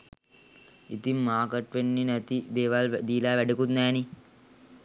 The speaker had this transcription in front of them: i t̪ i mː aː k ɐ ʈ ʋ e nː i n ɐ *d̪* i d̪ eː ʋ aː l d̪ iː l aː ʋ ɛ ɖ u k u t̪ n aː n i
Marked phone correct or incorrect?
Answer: incorrect